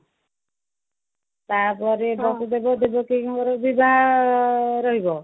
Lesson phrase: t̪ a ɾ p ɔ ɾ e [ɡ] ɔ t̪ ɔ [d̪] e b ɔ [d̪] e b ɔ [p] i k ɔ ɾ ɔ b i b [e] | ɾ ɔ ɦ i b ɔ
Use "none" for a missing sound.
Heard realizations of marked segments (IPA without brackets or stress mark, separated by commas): b, d̪, d̪, k, a